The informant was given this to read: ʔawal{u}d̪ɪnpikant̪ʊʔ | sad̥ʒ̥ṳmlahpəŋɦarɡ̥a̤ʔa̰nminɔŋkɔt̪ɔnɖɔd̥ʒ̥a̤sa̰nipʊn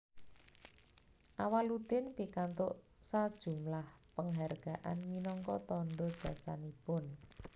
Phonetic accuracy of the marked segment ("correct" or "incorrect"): correct